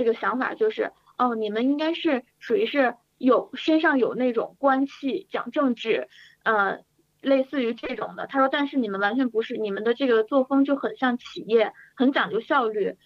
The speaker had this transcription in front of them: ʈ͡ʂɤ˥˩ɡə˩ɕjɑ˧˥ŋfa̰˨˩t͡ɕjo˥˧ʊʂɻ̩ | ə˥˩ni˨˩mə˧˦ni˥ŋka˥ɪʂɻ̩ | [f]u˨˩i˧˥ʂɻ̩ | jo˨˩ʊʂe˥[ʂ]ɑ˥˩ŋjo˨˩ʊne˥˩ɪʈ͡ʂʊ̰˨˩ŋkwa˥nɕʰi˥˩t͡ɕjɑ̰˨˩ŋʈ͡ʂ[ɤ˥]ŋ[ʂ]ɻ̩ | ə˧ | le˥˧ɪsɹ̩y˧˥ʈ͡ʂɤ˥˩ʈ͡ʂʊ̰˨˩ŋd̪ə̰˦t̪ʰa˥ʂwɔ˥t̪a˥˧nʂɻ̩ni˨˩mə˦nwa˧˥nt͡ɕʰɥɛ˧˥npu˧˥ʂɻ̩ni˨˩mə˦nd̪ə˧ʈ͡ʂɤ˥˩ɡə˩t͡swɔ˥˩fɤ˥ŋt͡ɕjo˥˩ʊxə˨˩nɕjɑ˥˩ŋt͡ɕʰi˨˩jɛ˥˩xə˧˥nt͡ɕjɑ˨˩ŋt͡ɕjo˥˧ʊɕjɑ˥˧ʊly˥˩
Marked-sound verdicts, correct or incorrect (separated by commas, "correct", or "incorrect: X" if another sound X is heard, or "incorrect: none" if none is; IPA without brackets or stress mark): incorrect: ʂ, correct, incorrect: ɤ˥˧, incorrect: ʈ͡ʂ